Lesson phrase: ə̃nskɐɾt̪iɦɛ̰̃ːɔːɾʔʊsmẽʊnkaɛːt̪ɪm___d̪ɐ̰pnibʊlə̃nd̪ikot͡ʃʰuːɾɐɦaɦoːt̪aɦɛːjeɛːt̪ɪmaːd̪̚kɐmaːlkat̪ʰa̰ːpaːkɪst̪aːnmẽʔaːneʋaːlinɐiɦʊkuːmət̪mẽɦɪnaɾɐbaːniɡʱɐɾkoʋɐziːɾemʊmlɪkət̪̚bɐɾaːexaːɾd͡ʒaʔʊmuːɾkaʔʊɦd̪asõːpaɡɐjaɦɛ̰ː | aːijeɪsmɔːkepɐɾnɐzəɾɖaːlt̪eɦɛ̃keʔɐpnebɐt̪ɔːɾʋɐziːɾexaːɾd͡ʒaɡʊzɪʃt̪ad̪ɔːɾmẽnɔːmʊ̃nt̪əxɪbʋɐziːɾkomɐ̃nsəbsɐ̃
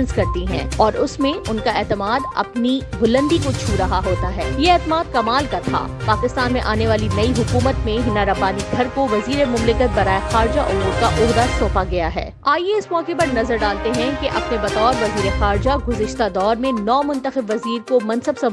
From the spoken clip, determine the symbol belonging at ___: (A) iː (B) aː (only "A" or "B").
B